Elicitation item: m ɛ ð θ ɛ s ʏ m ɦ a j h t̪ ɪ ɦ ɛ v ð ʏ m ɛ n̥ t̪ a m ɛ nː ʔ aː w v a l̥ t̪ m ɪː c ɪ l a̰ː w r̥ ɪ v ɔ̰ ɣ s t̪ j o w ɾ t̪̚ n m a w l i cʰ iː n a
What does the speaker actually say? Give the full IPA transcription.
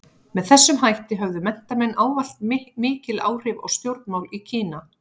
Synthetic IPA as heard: m ɛ ð θ ɛ sː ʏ m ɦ a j h t̪ ɪ ɦ œ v ð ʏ m ɛ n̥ t̪ a m ɛ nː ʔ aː w v a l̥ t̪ m ɪː c ɪ l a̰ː w r̥ ɪ v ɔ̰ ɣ s t̪ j o w ɾ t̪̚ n m a w l i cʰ iː n a

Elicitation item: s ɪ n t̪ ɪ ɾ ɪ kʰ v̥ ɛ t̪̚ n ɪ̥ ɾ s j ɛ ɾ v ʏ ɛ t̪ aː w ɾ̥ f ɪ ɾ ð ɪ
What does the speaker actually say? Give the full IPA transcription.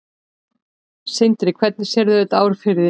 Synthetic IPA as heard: s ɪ n t̪ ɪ ɾ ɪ kʰ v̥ ɛ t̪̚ n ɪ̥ s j ɛ ɾ ð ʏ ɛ t̪ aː w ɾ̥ f ɪ ɾ ð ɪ

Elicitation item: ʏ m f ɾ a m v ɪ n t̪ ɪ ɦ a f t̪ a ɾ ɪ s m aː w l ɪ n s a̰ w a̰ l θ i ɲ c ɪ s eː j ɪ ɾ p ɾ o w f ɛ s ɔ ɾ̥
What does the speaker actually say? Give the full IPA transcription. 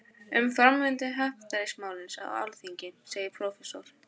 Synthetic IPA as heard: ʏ m f ɾ a m v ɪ n t̪ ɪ ɦ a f t̪ a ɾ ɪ s m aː w l ɪ n s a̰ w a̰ l θ i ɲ c ɪ s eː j ɪ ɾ pʰ ɾ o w f ɛ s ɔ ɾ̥

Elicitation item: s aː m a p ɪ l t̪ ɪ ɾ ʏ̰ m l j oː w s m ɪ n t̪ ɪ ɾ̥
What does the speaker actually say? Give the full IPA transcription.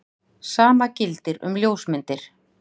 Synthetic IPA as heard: s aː m a c ɪ l t̪ ɪ ɾ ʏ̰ m l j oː w s m ɪ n t̪ ɪ ɾ̥

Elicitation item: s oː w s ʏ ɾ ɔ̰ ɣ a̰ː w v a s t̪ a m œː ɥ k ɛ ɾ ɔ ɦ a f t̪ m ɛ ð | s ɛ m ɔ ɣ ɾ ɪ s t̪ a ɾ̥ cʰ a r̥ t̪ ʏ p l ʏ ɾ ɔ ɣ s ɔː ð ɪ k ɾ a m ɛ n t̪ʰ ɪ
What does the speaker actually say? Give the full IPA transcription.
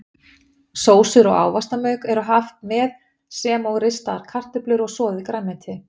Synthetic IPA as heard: s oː w s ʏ ɾ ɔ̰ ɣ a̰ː w v a s t̪ a m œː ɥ k ɛ ɾ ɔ ɦ a f t̪ m ɛ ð | s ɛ m ɔ ɣ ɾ ɪ s t̪ a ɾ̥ kʰ a r̥ t̪ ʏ p l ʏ ɾ ɔ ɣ s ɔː ð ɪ k ɾ a m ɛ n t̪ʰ ɪ

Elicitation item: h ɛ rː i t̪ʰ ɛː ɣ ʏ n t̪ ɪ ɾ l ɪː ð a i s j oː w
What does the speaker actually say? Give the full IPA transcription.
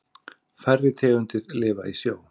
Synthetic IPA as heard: f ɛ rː ɪ t̪ʰ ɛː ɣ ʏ n t̪ ɪ ɾ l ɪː v a i s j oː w

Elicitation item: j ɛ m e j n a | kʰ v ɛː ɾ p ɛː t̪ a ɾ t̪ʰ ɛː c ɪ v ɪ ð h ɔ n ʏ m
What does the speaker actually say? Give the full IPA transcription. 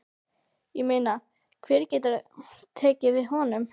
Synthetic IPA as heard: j ɛ m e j n a | kʰ v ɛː ɾ c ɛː t̪ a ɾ t̪ʰ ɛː c ɪ v ɪ ð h ɔ n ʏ m

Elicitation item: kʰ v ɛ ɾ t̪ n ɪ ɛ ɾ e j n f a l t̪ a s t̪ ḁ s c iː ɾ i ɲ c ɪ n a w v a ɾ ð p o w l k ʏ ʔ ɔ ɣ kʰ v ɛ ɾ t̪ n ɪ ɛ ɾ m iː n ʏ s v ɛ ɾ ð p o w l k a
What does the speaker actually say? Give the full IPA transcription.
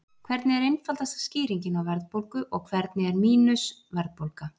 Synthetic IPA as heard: kʰ v ɛ ɾ t̪ n ɪ ɛ ɾ e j n f a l t̪ a s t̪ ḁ s c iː ɾ i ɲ c ɪ n a w v ɛ ɾ ð p o w l k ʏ ʔ ɔ ɣ kʰ v ɛ ɾ t̪ n ɪ ɛ ɾ m iː n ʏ s v ɛ ɾ ð p o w l k a

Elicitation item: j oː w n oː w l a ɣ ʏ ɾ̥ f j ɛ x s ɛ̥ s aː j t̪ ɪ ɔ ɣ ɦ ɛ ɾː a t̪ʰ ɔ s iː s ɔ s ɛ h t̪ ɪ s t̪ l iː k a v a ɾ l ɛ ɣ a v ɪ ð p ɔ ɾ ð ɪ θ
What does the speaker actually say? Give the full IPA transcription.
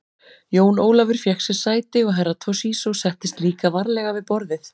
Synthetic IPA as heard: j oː w n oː w l a v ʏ ɾ̥ f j ɛ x s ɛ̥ s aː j t̪ ɪ ɔ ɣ ɦ ɛ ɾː a t̪ʰ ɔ s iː s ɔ s ɛ h t̪ ɪ s t̪ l iː k a v a ɾ l ɛ ɣ a v ɪ ð p ɔ ɾ ð ɪ θ

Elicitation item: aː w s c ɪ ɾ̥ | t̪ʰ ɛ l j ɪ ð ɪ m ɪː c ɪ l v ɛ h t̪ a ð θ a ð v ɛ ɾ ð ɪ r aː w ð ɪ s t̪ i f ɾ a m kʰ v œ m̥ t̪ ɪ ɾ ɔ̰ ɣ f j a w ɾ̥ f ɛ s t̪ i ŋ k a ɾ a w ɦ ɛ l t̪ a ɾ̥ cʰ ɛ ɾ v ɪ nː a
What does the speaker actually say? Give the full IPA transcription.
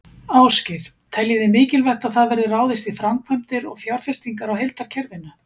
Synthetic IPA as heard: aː w s c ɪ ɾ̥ | t̪ʰ ɛ l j ɪ ð ɪ m ɪː c ɪ l v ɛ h t̪ a ð θ a ð v ɛ ɾ ð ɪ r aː w ð ɪ s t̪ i f ɾ a m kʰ v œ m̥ t̪ ɪ ɾ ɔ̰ ɣ f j a w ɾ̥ f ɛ s t̪ i ŋ k a ɾ a w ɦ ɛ l t̪ a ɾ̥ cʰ ɛ ɾ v ɪ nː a

